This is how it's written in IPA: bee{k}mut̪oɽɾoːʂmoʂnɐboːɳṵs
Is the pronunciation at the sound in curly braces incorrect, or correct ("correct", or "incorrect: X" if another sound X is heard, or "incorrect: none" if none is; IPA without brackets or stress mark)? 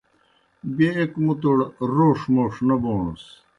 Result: correct